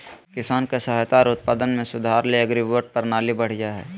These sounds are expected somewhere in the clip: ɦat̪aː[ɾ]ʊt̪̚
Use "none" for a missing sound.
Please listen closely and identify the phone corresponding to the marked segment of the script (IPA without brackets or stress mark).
ɾ